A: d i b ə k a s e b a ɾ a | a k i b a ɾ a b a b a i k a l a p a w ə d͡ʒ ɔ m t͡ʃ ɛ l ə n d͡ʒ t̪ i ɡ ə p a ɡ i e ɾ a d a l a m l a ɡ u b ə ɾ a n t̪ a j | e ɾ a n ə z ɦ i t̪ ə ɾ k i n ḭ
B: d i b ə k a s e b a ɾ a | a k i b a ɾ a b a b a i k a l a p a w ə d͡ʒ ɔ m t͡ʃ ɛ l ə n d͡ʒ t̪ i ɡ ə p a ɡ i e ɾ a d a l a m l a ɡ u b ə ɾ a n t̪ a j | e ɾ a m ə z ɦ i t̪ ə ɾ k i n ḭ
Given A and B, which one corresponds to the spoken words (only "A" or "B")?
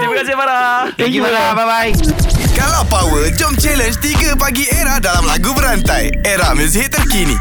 B